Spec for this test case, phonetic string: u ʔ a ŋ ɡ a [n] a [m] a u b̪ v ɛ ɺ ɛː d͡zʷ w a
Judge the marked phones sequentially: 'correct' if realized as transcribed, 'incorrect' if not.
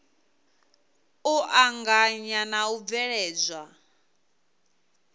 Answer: incorrect, incorrect

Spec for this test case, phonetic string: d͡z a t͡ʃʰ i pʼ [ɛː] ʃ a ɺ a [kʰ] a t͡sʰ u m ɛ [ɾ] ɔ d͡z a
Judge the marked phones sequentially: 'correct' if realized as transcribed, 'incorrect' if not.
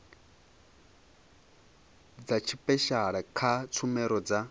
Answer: incorrect, correct, correct

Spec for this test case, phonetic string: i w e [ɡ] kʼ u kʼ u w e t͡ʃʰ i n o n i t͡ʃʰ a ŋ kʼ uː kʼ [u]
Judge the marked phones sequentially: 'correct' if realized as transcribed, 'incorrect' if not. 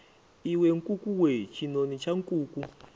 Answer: incorrect, correct

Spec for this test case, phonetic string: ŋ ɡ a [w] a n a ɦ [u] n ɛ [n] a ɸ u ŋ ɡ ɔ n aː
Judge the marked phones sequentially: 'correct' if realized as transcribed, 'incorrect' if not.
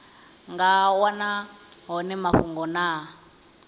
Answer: correct, incorrect, incorrect

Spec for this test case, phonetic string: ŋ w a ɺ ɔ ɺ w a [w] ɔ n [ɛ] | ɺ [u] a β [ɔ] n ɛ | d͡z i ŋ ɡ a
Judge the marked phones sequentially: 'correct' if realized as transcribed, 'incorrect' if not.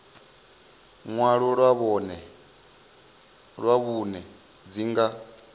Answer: incorrect, correct, incorrect, incorrect

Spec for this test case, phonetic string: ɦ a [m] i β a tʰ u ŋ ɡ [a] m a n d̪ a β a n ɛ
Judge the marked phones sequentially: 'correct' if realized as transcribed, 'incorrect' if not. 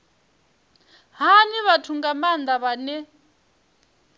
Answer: incorrect, correct

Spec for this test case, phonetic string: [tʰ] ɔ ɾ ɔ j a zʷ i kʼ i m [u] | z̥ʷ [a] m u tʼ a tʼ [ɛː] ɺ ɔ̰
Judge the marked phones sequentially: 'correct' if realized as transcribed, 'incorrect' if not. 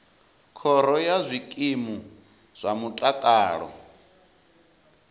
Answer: incorrect, correct, correct, incorrect

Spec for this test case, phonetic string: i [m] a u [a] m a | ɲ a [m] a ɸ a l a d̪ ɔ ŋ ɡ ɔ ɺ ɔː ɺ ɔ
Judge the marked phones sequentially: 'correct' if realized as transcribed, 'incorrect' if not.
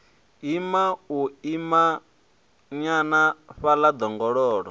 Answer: correct, incorrect, incorrect

